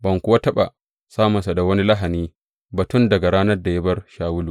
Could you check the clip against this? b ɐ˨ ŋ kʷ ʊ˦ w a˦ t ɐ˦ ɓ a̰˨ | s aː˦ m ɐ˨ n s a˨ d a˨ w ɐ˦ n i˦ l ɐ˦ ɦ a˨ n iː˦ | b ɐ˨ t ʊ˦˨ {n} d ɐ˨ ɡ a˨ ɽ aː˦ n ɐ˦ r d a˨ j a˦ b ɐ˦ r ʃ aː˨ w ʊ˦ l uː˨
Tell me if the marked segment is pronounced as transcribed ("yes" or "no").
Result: yes